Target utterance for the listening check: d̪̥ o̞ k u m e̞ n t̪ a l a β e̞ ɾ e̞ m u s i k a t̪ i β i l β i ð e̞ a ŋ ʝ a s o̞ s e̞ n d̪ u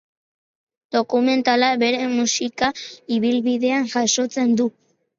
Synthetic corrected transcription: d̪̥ o̞ k u m e̞ n t̪ a l a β e̞ ɾ e̞ m u s i k a i β i l β i ð e̞ a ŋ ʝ a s o̞ t͡s e̞ n d̪ u

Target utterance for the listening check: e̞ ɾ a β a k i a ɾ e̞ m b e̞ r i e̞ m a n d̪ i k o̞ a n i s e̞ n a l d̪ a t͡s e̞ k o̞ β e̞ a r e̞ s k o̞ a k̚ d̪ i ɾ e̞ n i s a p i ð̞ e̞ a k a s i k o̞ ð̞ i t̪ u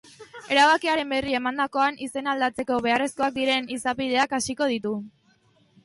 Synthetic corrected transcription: e̞ ɾ a β a k i a ɾ e̞ m b e̞ r i e̞ m a n d̪ a k o̞ a n i s e̞ n a l d̪ a t͡s e̞ k o̞ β e̞ a r e̞ s k o̞ a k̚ d̪ i ɾ e̞ n i s a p i ð̞ e̞ a k a s i k o̞ ð̞ i t̪ u

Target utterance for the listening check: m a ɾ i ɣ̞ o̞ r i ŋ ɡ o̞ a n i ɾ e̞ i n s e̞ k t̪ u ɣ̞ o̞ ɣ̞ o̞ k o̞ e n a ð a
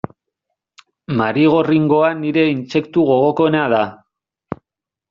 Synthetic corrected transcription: m a ɾ i ɣ̞ o̞ r i ŋ ɡ o̞ a n i ɾ e̞ i n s e̞ k t̪ u ɣ̞ o̞ ɣ̞ o̞ k o̞ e n a ð a

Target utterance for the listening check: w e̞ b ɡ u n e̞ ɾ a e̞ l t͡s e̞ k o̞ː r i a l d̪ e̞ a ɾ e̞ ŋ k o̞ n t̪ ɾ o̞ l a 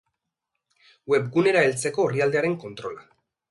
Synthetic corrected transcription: w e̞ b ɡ u n e̞ ɾ a e̞ l t͡s e̞ k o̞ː r i a l d̪ e̞ a ɾ e̞ ŋ k o̞ n t̪ ɾ o̞ l a

